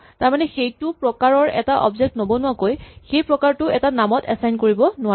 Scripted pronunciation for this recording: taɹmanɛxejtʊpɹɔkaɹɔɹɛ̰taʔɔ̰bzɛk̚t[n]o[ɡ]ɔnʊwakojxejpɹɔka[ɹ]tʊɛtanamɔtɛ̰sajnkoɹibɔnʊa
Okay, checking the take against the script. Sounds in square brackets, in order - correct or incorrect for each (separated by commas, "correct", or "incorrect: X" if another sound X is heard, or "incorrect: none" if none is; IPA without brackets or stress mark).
correct, incorrect: b, correct